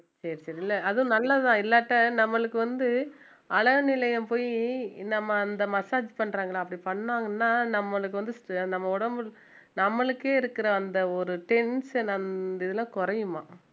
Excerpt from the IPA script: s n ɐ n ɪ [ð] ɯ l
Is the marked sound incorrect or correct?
correct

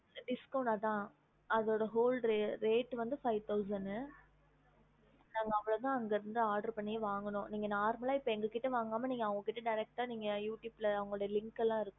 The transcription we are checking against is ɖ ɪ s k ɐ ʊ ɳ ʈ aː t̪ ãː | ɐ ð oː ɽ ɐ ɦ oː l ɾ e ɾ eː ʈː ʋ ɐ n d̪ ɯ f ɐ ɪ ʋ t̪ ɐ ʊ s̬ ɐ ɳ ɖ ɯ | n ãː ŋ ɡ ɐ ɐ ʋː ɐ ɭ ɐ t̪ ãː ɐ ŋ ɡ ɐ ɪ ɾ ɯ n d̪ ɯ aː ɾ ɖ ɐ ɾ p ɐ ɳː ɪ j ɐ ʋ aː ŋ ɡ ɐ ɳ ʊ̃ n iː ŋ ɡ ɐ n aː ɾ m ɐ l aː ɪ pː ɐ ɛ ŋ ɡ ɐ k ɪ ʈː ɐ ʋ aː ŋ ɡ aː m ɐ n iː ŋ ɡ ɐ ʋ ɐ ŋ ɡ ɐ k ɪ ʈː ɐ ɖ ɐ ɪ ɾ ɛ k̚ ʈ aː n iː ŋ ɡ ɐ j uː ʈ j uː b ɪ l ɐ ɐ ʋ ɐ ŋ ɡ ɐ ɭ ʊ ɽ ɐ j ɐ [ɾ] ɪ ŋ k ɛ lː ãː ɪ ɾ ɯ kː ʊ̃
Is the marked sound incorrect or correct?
incorrect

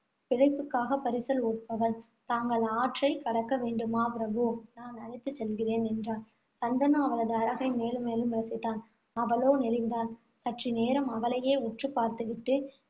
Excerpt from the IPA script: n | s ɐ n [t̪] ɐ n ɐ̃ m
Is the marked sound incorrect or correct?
incorrect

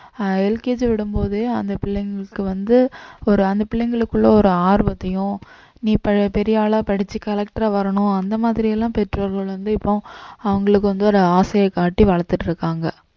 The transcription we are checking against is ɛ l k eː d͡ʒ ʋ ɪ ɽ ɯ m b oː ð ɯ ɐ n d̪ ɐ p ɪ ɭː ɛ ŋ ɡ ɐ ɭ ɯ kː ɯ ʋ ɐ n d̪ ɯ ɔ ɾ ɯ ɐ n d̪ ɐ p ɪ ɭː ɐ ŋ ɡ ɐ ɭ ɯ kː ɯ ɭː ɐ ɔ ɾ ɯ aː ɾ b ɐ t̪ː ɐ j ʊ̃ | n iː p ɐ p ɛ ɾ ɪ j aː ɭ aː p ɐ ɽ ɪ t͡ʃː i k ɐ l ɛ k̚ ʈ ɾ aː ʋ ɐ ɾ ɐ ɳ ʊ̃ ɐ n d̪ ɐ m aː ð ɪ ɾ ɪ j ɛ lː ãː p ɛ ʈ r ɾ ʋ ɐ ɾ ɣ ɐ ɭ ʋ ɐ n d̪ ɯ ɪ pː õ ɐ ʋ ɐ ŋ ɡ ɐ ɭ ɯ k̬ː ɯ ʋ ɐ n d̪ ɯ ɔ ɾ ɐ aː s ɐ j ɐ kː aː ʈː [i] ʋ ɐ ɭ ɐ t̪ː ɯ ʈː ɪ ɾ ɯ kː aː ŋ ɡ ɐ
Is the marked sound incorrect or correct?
correct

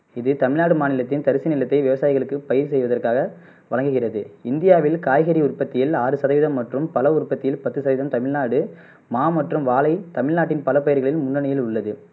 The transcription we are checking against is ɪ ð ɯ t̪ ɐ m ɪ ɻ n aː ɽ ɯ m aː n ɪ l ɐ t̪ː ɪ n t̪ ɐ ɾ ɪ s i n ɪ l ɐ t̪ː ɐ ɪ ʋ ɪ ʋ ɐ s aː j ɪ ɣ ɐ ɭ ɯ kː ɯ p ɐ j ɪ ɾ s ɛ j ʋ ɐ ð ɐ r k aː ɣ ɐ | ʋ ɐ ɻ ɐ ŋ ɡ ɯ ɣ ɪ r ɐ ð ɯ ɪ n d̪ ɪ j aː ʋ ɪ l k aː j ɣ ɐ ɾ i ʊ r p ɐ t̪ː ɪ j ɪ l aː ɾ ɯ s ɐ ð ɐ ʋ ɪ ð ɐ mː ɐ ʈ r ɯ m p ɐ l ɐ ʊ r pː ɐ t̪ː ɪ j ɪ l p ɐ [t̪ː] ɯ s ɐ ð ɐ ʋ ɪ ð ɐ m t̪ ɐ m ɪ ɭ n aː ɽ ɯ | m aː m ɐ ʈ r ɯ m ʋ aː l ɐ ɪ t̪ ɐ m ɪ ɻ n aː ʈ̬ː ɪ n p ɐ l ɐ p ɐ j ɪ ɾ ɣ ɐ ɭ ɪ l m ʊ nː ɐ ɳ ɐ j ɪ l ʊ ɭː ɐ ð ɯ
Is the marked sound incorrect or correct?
correct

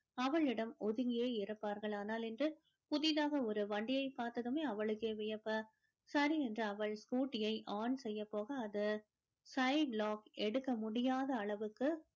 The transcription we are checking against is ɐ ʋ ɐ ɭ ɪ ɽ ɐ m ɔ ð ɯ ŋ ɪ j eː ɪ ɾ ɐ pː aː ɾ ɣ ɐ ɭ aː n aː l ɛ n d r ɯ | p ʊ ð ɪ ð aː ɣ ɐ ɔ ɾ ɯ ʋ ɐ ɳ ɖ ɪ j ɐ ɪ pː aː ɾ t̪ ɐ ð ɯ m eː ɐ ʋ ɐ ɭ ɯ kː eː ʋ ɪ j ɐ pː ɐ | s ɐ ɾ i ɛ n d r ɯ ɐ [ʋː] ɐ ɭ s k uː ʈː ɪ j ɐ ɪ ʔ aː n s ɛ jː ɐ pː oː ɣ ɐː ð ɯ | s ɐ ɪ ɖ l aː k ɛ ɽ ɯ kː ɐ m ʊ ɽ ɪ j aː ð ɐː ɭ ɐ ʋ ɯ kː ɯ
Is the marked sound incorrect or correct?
incorrect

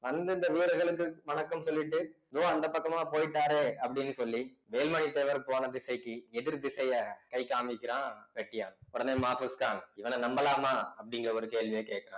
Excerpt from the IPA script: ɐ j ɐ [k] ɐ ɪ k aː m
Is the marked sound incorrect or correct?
correct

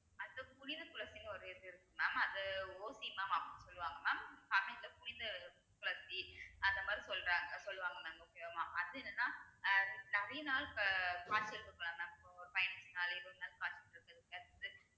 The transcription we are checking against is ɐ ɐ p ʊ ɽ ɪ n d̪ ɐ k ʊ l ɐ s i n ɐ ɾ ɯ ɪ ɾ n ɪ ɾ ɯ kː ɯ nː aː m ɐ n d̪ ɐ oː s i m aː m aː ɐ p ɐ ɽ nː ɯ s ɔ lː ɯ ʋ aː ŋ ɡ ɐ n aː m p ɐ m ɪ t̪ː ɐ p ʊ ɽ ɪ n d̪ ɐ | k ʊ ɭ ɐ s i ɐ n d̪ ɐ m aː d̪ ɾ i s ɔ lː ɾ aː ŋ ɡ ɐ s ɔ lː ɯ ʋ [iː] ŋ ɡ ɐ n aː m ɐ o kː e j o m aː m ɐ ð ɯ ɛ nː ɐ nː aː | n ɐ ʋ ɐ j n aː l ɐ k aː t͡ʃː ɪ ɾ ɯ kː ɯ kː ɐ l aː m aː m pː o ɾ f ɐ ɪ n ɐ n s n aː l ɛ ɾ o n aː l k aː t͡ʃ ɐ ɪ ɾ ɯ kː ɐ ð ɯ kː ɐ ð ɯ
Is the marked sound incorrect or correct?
incorrect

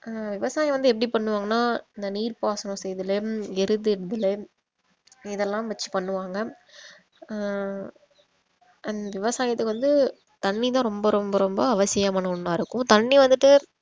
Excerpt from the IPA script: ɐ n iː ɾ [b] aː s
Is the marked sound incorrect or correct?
incorrect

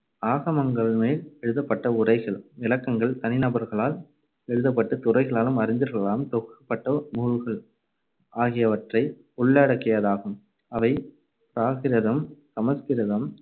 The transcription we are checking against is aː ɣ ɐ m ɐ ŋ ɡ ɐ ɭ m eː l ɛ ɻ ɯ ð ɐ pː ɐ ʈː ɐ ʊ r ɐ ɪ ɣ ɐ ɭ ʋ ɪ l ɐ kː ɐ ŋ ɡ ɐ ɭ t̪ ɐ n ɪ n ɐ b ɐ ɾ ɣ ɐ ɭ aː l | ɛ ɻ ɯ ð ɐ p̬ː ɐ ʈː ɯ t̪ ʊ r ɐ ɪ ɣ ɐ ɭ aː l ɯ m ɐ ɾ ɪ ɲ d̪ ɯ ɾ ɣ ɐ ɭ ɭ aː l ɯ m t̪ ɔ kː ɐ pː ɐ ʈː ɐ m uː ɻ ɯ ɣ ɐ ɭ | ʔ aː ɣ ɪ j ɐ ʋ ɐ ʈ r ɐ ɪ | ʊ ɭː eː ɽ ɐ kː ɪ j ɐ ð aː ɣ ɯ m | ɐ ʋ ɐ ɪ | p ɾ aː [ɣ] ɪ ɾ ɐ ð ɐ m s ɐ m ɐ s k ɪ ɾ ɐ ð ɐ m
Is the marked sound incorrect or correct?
correct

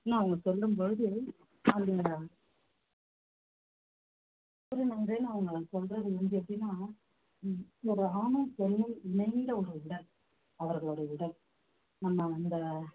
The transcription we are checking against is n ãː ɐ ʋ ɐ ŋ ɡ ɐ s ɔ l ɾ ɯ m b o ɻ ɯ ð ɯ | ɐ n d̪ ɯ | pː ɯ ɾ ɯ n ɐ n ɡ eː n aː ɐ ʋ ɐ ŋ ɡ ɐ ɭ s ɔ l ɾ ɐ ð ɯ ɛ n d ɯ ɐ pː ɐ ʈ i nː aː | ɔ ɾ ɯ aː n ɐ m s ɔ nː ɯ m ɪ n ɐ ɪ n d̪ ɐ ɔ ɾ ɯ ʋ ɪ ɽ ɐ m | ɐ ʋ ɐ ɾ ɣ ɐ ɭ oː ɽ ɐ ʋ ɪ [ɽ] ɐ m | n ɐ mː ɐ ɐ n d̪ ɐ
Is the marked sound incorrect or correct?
correct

